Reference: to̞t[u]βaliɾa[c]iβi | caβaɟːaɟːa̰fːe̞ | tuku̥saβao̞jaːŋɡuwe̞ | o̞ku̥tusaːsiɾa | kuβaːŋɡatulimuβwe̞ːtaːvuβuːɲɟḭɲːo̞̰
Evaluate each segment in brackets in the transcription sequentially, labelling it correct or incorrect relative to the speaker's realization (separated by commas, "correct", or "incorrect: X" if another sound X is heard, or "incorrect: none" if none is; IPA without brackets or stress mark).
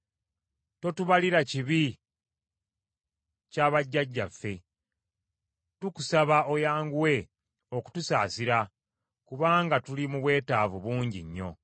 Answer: correct, correct